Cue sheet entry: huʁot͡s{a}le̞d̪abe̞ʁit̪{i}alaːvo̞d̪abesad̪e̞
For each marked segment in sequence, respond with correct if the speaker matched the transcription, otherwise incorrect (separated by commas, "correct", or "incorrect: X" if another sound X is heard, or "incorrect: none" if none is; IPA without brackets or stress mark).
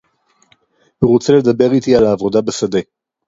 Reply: incorrect: e, correct